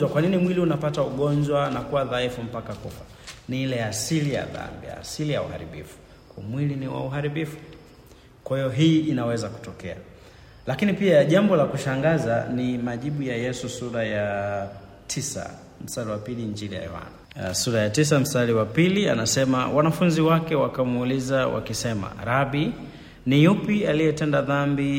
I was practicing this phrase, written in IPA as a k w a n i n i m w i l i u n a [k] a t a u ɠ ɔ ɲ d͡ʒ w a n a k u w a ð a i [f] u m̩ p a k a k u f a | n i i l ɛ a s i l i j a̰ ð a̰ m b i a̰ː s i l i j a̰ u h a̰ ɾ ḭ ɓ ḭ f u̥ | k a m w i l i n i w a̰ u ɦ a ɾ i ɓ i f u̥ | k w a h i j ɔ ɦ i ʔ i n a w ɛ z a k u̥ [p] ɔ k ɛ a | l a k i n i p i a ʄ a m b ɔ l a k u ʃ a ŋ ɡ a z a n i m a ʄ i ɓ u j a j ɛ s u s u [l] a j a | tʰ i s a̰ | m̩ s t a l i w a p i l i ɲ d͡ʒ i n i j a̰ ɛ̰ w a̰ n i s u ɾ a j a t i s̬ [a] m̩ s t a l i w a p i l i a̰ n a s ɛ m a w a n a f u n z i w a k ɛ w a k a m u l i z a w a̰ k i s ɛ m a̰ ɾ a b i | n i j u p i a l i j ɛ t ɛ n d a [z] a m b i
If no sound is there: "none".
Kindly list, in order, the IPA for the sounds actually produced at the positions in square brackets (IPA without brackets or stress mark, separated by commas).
p, f, t, ɾ, a, ð